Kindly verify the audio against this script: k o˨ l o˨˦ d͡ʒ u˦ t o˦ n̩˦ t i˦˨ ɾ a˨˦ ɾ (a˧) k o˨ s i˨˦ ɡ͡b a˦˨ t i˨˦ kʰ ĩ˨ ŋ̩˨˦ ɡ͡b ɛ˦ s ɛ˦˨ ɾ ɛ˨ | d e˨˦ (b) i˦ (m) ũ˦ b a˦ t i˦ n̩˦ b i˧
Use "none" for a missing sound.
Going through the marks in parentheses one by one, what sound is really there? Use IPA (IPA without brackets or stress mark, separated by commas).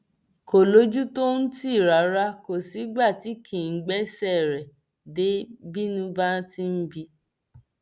a˧, b, n